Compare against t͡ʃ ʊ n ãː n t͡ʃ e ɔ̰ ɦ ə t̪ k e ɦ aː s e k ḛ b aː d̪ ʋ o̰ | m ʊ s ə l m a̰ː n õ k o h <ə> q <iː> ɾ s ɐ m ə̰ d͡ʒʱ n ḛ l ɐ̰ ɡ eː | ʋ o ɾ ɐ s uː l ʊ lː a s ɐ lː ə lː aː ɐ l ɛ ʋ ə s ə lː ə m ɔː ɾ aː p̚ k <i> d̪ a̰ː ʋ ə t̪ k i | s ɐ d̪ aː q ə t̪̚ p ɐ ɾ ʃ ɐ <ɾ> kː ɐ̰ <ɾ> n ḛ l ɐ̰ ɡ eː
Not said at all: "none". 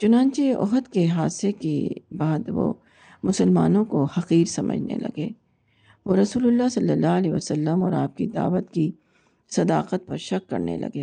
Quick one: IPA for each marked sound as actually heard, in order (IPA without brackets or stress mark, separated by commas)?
ɐ, iː, i, none, ɾ